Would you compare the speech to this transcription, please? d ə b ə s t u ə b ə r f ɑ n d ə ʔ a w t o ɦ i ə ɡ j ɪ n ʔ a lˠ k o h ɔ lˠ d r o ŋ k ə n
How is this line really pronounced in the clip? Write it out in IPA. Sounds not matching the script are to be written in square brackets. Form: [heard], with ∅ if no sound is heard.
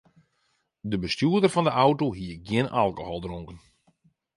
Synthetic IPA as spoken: d ə b ə s t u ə [d] ə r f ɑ n d ə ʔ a w t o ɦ i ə ɡ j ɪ n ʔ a lˠ k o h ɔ lˠ d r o ŋ k ə n